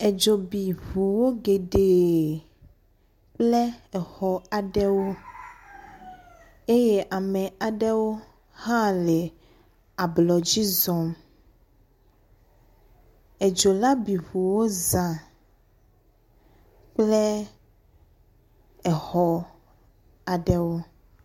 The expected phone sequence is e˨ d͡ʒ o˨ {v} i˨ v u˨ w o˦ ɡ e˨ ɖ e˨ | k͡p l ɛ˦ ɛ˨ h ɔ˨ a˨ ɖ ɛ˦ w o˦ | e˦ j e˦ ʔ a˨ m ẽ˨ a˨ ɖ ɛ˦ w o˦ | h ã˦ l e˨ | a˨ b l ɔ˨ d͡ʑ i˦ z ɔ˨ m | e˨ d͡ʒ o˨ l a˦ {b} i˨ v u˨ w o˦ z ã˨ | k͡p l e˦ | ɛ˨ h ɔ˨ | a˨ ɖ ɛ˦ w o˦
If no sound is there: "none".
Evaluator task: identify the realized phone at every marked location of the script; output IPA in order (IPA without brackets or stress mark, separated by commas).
b, b